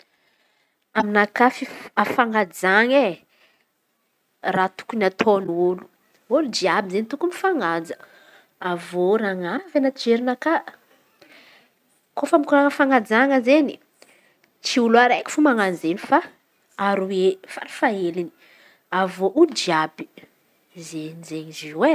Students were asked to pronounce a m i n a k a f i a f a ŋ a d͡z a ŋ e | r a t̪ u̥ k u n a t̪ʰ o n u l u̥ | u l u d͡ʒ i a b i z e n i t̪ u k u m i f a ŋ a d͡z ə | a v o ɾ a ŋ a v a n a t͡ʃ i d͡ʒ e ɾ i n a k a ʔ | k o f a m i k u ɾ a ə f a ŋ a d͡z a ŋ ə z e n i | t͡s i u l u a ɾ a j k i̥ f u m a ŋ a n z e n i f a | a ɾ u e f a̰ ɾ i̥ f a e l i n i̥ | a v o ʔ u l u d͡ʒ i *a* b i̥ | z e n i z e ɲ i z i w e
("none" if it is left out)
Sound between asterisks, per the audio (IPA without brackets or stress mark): a